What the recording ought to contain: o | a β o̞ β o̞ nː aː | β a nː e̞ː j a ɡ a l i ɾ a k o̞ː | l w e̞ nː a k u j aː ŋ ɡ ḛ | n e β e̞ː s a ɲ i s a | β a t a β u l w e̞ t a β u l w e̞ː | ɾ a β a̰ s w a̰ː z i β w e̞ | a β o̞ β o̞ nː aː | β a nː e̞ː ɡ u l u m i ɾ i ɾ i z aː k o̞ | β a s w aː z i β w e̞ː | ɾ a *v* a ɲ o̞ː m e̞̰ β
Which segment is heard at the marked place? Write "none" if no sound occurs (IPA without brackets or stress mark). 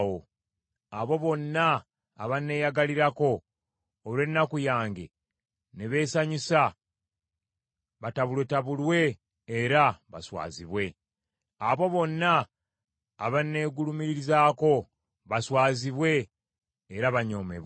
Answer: β